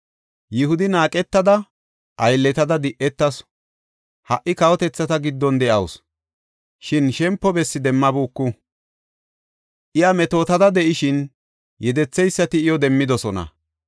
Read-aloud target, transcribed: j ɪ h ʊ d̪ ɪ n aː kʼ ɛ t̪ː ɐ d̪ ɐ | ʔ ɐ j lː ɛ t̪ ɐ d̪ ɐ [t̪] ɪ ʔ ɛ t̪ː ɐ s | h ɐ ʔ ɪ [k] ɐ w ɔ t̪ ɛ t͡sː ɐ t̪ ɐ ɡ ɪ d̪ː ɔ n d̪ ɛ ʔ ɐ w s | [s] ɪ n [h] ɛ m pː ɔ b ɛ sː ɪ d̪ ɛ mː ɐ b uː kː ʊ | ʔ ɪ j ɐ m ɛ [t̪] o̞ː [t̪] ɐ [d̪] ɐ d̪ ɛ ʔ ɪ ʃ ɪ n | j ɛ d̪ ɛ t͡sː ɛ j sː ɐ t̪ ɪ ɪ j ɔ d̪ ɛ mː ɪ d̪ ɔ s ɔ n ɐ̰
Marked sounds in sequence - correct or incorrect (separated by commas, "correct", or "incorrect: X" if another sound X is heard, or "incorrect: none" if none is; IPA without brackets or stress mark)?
incorrect: d̪, correct, incorrect: ʃ, incorrect: ʃ, correct, correct, correct